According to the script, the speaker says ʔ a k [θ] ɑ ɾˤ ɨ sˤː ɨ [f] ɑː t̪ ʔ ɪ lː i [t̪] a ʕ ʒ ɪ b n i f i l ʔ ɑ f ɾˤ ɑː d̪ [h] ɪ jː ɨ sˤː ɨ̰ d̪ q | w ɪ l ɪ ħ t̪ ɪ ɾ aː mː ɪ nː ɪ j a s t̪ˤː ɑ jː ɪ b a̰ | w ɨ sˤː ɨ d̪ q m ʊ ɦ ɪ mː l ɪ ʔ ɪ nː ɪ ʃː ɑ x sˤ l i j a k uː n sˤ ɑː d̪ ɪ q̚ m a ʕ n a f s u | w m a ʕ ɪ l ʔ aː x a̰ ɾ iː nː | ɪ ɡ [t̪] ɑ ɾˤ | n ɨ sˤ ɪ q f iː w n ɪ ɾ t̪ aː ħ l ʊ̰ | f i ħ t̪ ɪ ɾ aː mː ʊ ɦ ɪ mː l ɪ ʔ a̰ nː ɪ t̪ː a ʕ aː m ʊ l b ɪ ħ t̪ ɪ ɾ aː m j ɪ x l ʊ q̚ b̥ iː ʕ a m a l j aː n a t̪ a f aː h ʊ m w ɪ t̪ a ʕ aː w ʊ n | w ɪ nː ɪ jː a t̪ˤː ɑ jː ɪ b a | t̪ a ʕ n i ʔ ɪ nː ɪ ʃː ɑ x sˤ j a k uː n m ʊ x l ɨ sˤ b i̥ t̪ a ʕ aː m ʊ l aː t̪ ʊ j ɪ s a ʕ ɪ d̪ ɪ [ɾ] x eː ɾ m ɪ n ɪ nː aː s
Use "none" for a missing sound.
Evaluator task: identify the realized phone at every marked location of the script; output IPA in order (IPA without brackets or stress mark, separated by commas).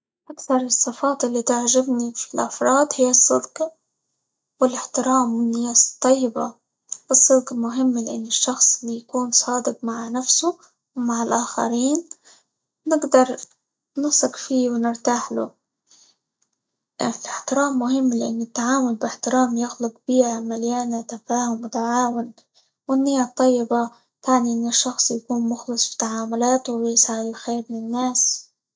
θ, f, t̪, h, d̪, l